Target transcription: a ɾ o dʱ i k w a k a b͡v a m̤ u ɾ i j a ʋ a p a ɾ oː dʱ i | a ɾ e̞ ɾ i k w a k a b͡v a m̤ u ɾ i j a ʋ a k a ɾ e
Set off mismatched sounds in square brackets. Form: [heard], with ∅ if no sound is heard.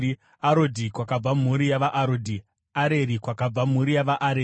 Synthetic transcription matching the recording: a ɾ o dʱ i k w a k a b͡v a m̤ u ɾ i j a ʋ a [ʔ] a ɾ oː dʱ i | a ɾ e̞ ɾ i k w a k a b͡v a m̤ u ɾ i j a ʋ a [ʔ] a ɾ e

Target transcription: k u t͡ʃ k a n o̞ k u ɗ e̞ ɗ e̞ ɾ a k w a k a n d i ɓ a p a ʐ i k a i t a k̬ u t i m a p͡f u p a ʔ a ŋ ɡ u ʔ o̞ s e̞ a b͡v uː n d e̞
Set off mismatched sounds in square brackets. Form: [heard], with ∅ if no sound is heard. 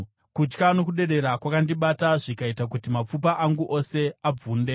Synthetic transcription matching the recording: k u t͡ʃ k a n o̞ k u ɗ e̞ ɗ e̞ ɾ a k w a k a n d i ɓ a [t] a ʐ i k a i t a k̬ u t i m a p͡f u p a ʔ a ŋ ɡ u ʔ o̞ s e̞ a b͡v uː n d e̞

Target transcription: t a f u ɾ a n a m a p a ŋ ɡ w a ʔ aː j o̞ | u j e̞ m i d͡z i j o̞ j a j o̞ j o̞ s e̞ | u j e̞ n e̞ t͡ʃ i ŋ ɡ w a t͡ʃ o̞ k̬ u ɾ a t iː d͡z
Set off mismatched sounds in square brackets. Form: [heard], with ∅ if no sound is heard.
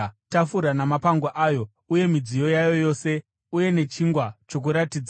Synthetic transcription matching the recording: t a f u ɾ a n a m a p a ŋ ɡ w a ʔ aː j o̞ | u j e̞ m i d͡z i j o̞ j a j o̞ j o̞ s e̞ | u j e̞ n e̞ t͡ʃ i ŋ ɡ w a t͡ʃ o̞ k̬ u ɾ a t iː d͡z

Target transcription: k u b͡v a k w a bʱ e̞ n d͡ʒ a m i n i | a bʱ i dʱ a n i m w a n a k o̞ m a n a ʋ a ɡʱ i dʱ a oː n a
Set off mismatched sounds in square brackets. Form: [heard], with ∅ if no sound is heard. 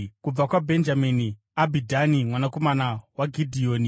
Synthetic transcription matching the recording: k u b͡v a k w a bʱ e̞ n d͡ʒ a m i n i | a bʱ i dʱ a n i m w a n a k o̞ m a n a [w] a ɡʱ i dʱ [i] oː n [i]

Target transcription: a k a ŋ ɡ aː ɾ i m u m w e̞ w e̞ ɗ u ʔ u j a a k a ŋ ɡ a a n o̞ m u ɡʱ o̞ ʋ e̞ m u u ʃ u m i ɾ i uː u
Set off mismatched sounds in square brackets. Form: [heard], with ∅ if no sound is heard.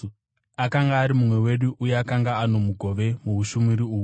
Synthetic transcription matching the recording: a k a ŋ ɡ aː ɾ i m u m w e̞ w e̞ ɗ u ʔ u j [e] a k a ŋ ɡ a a n o̞ m u ɡʱ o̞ ʋ e̞ m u u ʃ u m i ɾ i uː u

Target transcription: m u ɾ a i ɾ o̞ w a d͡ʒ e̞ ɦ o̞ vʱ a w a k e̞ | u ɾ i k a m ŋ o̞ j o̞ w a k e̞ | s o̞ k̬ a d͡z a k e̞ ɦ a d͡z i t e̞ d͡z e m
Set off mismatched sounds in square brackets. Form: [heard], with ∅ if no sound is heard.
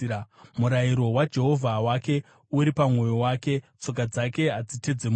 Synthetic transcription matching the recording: m u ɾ a i ɾ o̞ w a d͡ʒ e̞ ɦ o̞ vʱ a w a k e̞ | u ɾ i [p] a m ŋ o̞ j o̞ w a k e̞ | [t͡s] o̞ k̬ a d͡z a k e̞ ɦ a d͡z i t e̞ d͡z e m

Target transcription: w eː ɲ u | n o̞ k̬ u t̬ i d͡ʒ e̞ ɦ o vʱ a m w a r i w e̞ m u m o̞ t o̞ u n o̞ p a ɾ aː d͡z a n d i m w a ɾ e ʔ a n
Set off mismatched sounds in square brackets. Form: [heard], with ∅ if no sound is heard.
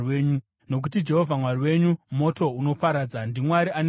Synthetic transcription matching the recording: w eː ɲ u | n o̞ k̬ u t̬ i d͡ʒ e̞ ɦ o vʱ a m w a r i w e̞ [ɲ] u m o̞ t o̞ u n o̞ p a ɾ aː d͡z a n d i m w a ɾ [i] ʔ a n

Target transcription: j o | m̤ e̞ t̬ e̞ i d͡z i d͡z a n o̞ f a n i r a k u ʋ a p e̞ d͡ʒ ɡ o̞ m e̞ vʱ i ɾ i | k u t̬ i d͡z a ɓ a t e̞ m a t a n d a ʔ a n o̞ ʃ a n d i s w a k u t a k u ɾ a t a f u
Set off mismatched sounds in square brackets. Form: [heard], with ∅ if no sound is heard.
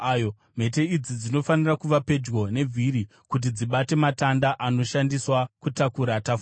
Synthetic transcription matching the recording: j o | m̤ e̞ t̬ e̞ i d͡z i d͡z [i] n o̞ f a n i r a k u ʋ a p e̞ d͡ʒ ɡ o̞ [n] e̞ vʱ i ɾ i | k u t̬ i d͡z [i] ɓ a t e̞ m a t a n d a ʔ a n o̞ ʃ a n d i s w a k u t a k u ɾ a t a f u

